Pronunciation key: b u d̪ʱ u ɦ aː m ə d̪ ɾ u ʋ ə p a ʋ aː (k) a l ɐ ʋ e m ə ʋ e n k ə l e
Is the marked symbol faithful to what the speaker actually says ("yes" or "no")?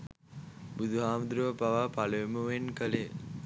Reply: no